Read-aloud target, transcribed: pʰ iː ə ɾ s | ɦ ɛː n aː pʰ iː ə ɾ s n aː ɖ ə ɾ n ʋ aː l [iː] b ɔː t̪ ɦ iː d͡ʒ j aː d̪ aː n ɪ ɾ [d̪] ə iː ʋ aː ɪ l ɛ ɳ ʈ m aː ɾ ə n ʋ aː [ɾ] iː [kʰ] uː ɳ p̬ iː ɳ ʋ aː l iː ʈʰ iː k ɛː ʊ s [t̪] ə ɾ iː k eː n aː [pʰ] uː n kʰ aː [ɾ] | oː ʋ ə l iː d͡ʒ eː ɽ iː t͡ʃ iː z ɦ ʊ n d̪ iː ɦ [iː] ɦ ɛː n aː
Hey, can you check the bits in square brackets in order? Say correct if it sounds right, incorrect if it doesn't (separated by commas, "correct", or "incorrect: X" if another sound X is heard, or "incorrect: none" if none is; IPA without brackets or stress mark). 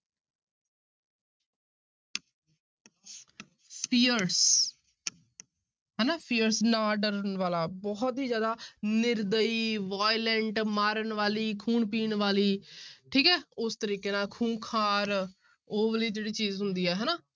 incorrect: aː, correct, incorrect: l, correct, correct, incorrect: kʰ, correct, incorrect: ɛː